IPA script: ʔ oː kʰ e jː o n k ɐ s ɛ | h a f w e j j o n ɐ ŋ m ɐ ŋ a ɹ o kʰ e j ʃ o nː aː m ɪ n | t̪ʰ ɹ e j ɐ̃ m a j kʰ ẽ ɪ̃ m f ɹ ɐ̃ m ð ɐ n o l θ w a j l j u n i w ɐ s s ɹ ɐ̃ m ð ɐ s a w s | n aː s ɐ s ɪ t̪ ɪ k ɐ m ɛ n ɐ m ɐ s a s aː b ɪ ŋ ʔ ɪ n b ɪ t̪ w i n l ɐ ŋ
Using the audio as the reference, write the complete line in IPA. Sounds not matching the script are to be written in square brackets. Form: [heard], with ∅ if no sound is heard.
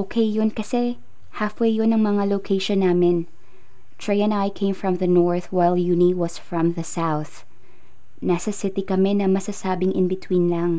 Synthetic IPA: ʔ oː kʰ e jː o n k ɐ s ɛ | h a f w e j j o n ɐ ŋ m ɐ ŋ a [l] o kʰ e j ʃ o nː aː m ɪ n | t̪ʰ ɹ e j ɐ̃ [n] a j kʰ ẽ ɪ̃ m f ɹ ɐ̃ m ð ɐ n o [ɹ] θ w a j l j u n i w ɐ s [f] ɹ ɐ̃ m ð ɐ s a w [θ] | n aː s ɐ s ɪ t̪ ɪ k ɐ m ɛ n ɐ m ɐ s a s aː b ɪ ŋ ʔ ɪ n b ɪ t̪ w i n l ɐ ŋ